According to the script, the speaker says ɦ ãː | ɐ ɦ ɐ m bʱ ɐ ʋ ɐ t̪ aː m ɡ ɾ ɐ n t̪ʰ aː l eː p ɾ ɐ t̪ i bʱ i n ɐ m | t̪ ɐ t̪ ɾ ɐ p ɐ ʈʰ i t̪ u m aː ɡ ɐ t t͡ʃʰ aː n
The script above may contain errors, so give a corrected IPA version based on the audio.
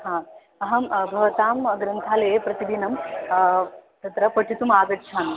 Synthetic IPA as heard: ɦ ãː | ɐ ɦ ɐ m bʱ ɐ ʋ ɐ t̪ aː m ɡ ɾ ɐ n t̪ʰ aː l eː p ɾ ɐ t̪ i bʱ i n ɐ m | t̪ ɐ t̪ ɾ ɐ p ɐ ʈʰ i t̪ u m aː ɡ ɐ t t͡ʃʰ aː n